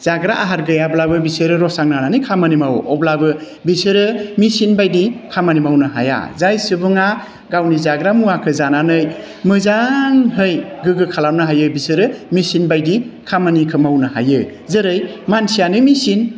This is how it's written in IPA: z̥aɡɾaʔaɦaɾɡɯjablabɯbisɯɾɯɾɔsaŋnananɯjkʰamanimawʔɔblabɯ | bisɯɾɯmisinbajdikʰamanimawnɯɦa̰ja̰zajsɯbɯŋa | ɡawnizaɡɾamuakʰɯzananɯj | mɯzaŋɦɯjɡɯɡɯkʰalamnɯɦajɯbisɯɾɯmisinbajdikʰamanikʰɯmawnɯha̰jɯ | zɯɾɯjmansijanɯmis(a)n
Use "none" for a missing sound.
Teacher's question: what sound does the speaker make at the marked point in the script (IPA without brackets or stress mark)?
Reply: i